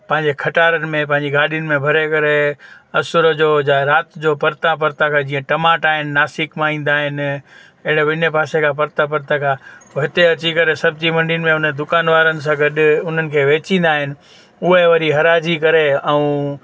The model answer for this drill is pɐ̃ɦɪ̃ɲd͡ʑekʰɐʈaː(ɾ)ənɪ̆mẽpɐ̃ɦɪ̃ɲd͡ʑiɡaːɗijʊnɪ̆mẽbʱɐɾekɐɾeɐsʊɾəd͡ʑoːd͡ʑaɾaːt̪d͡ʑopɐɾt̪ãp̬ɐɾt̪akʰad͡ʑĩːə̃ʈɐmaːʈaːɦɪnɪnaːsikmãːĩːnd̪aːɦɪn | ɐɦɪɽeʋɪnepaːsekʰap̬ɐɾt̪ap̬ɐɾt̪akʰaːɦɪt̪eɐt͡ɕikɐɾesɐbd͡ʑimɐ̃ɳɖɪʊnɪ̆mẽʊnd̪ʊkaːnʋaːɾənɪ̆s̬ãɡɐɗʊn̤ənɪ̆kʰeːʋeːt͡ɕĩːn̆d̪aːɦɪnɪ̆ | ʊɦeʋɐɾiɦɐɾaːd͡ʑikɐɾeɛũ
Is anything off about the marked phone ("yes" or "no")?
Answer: no